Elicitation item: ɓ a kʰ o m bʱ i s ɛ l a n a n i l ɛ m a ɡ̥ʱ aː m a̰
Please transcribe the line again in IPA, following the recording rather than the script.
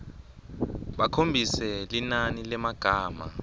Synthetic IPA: ɓ a kʰ o m bʱ i s ɛ l i n a n i l ɛ m a ɡ̥ʱ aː m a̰